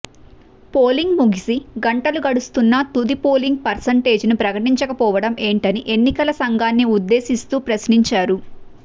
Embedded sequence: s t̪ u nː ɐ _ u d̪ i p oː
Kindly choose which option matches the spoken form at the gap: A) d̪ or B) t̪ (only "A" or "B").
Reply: B